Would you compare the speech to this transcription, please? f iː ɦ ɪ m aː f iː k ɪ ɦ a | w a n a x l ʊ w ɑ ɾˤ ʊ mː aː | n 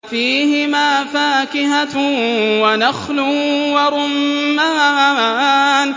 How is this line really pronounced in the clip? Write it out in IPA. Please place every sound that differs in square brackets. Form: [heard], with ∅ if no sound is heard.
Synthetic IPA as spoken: f iː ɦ ɪ m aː f [aː] k ɪ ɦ a | w a n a x l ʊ w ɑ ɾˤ ʊ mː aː | n